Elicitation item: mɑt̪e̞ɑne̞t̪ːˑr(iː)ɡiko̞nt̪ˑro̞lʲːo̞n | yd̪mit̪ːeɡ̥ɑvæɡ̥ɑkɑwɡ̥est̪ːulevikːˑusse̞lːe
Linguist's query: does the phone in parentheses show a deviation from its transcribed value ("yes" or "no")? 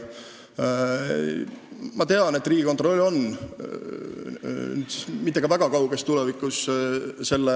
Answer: no